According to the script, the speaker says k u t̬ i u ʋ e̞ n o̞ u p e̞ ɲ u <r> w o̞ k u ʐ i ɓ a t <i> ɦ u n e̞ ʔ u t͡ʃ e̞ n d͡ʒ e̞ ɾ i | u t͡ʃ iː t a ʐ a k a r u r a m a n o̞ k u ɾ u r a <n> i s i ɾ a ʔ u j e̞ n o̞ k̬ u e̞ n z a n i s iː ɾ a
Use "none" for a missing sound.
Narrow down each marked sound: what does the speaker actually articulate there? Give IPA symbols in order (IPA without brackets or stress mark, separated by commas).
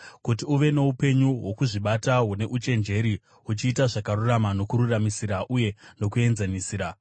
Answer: none, a, m